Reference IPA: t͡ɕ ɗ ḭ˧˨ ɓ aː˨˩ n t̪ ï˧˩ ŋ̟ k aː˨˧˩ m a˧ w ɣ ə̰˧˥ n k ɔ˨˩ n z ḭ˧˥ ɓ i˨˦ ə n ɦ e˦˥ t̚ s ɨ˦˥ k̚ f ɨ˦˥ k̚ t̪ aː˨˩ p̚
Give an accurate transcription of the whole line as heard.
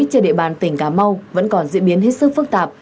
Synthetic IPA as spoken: t͡ɕ ɗ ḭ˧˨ ɓ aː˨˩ n t̪ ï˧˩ ŋ̟ k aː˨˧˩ m a˧ w v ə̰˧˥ n k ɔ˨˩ n z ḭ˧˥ ɓ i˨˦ ə n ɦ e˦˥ t̚ s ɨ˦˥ k̚ f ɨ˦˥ k̚ t̪ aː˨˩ p̚